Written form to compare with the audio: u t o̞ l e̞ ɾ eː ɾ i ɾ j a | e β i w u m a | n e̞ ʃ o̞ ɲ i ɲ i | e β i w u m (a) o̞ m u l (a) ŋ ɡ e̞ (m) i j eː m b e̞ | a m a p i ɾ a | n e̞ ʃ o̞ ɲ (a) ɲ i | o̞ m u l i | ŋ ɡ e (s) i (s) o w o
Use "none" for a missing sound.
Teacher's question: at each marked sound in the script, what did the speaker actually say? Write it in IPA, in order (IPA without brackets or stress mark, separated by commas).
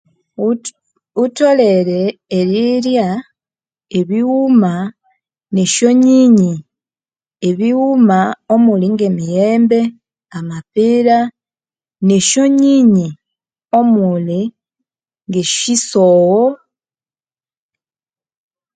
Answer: a, i, m, i, ʃ, s